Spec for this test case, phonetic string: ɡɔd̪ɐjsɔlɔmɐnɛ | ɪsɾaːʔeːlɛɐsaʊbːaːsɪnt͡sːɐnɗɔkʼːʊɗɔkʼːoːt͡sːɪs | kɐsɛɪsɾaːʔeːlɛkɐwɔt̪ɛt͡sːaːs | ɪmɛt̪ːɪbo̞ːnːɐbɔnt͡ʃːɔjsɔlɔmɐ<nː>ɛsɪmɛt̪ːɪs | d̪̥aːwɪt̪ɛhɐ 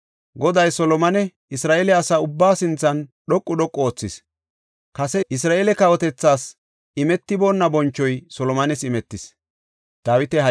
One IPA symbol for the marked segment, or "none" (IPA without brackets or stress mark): n